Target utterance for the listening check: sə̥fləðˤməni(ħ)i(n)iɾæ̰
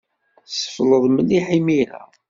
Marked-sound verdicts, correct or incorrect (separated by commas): correct, incorrect